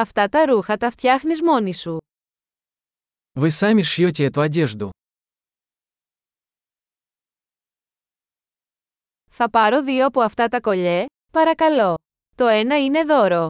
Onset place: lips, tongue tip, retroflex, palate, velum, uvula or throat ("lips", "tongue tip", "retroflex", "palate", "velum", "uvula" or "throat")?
lips